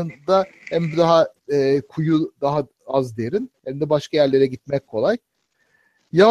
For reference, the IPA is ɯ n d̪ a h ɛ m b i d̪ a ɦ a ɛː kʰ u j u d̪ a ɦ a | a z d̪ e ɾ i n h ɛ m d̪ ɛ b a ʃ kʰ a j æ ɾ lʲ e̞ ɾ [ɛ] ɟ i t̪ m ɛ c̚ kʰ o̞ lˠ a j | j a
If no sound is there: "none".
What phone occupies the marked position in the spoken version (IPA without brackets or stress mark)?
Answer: ɛ